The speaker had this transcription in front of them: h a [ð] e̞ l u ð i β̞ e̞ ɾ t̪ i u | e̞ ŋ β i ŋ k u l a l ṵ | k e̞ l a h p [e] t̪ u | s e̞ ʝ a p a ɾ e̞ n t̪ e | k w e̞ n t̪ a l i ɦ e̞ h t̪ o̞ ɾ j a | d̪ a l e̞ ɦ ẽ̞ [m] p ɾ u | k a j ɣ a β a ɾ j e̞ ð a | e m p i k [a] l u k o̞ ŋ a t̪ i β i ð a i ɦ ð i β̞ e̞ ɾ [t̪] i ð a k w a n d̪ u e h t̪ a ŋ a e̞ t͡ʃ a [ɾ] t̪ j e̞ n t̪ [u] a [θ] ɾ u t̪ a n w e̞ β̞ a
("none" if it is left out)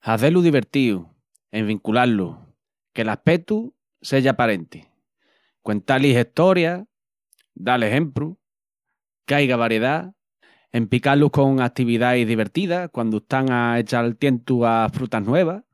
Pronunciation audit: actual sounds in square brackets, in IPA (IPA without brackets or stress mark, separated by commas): θ, e, m, a, t̪, l, u, f